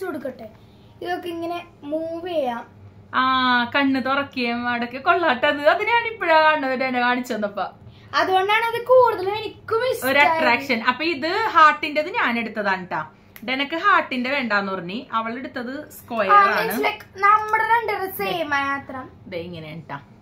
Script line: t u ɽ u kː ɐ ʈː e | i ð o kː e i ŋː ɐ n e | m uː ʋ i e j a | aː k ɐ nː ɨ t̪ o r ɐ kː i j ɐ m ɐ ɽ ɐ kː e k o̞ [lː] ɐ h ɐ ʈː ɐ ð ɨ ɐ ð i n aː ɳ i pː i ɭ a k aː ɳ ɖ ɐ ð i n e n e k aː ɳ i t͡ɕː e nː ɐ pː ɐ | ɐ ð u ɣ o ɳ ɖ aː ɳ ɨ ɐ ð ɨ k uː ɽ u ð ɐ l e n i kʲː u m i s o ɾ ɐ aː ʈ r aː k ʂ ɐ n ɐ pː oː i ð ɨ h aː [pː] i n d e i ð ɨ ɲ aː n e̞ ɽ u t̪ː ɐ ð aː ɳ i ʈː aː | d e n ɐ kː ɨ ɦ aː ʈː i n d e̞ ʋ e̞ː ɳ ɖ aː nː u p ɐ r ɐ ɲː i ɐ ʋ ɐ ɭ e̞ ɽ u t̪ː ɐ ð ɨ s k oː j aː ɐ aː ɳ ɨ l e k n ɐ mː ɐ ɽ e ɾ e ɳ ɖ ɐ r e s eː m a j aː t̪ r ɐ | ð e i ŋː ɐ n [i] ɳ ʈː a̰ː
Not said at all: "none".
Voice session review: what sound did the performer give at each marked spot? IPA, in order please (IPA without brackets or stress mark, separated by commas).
ɭː, ʈː, e